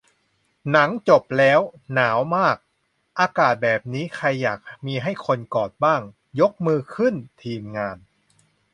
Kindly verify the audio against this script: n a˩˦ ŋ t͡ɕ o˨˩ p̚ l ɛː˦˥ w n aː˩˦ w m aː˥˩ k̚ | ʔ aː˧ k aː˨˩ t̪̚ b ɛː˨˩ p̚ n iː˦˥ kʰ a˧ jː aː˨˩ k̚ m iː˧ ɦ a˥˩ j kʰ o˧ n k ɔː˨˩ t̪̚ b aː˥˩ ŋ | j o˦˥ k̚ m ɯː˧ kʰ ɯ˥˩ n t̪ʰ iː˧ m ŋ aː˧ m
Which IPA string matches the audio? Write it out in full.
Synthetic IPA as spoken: n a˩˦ ŋ t͡ɕ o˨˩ p̚ l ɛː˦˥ w n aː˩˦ w m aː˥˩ k̚ | ʔ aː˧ k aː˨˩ t̪̚ b ɛː˨˩ p̚ n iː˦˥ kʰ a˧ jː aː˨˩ k̚ m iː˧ ɦ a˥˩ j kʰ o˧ n k ɔː˨˩ t̪̚ b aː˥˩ ŋ | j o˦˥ k̚ m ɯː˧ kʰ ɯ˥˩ n t̪ʰ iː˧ m ŋ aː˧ n